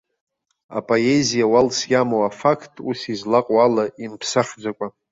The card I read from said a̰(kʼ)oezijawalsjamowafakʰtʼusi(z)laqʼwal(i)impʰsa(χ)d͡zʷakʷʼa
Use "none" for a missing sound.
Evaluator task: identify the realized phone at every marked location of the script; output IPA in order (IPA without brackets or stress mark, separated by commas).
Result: pʼ, z, a, χ